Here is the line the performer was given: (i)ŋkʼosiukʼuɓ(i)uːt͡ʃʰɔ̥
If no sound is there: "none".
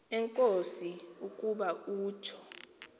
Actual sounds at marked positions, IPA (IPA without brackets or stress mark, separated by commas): ɛ, a